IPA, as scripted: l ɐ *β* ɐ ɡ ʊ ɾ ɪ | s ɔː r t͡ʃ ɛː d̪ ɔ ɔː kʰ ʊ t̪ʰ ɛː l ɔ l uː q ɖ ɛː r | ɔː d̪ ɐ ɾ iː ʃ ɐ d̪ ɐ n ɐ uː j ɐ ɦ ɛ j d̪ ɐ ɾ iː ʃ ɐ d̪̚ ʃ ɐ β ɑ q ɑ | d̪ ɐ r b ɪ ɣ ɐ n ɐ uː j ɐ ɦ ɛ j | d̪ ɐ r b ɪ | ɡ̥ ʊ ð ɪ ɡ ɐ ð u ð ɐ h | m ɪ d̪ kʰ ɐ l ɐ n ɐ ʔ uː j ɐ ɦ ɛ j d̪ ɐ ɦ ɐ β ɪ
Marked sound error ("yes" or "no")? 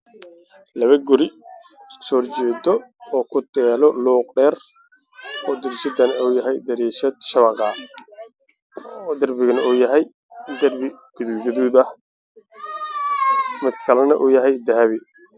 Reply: no